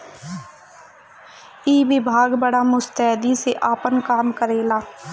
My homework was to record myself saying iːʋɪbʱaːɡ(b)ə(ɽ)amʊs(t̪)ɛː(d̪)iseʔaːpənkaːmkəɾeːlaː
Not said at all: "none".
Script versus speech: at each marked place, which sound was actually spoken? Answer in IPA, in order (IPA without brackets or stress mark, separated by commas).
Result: b, ɽ, t̪, d̪